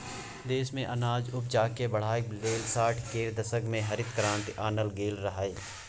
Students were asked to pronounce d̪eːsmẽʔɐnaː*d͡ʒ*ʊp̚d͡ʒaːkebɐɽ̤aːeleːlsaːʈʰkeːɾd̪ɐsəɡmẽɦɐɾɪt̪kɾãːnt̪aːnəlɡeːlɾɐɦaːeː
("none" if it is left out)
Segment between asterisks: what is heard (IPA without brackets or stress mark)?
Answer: d͡ʒ